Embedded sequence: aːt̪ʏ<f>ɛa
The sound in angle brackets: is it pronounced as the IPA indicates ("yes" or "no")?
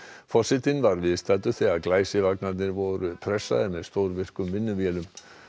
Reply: no